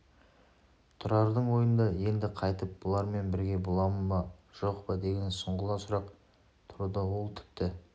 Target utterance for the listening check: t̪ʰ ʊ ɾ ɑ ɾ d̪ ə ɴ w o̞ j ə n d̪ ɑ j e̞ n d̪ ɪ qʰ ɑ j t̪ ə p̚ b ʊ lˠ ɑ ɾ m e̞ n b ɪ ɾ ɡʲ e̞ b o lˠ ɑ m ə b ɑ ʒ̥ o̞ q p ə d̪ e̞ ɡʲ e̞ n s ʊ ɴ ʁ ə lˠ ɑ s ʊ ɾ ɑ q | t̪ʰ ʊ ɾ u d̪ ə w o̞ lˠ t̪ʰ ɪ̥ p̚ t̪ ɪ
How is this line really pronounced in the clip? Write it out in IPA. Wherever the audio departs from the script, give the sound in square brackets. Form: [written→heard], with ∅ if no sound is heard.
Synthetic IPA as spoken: t̪ʰ ʊ ɾ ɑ ɾ d̪ ə ɴ w o̞ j ə n d̪ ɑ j e̞ n d̪ ɪ qʰ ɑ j t̪ ə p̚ b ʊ lˠ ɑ ɾ m e̞ n b ɪ ɾ ɡʲ e̞ b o lˠ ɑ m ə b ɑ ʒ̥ o̞ q p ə d̪ e̞ ɡʲ e̞ n s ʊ ɴ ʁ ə lˠ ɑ s ʊ ɾ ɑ q | t̪ʰ ʊ ɾ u d̪ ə w o̞ lˠ t̪ʰ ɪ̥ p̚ t̪ ɪ